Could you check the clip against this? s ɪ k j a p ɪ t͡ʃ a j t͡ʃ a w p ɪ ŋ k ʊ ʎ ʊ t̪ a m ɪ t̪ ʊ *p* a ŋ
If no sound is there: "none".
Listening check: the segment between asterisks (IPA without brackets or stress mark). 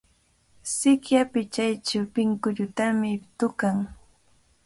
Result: k